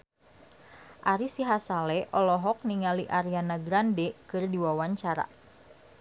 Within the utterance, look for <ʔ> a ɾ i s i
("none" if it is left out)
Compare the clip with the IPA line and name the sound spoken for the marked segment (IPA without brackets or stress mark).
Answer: ʔ